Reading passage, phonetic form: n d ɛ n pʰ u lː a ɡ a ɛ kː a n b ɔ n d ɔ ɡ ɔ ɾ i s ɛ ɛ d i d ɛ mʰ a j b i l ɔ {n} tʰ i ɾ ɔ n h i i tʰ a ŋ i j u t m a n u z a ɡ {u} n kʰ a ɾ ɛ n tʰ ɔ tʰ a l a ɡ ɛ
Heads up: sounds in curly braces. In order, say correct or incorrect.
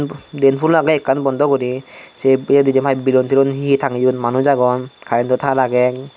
correct, incorrect: ɔ

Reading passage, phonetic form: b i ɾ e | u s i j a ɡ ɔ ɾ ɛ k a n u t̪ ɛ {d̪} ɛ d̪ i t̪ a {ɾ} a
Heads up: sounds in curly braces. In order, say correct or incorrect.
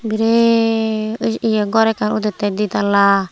incorrect: t̪, incorrect: l

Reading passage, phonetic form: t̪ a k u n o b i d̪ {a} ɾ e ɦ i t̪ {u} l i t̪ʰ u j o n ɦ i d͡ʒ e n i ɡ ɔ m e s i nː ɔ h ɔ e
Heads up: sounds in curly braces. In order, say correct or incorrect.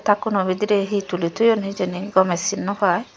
incorrect: i, correct

